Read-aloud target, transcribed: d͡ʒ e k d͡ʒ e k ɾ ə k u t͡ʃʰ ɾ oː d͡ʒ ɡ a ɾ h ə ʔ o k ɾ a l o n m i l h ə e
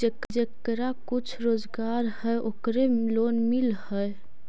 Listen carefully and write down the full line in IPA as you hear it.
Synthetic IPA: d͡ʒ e k d͡ʒ e k ɾ a k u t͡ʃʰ ɾ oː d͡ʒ ɡ a ɾ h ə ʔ o k ɾ e l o n m i l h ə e